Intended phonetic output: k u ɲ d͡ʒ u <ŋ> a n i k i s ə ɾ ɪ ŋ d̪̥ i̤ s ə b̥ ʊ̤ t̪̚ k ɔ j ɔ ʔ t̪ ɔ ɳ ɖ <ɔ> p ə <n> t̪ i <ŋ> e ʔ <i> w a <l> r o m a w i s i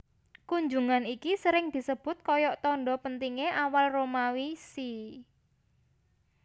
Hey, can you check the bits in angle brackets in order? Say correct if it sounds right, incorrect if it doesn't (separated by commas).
correct, correct, correct, correct, incorrect, correct